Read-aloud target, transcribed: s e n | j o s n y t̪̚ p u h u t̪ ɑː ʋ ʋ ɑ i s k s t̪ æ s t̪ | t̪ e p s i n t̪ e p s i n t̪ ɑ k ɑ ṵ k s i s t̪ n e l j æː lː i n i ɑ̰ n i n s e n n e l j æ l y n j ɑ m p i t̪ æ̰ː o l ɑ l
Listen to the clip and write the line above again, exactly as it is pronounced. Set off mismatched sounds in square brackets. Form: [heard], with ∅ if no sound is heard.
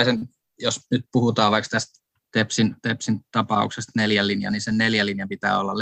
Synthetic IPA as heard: s e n | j o s n y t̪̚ p u h u t̪ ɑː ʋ ʋ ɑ i [∅] k s t̪ æ s t̪ | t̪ e p s i n t̪ e p s i n t̪ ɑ [p] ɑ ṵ k s [e] s t̪ n e l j [æ] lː i n [j] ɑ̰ n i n s e n n e l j æ l [i] n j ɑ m p i t̪ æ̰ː o [lː] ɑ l